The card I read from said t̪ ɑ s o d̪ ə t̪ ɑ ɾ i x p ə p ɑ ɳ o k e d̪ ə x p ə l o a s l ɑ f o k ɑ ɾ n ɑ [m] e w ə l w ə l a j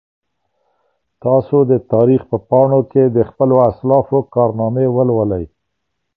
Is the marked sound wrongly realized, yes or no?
no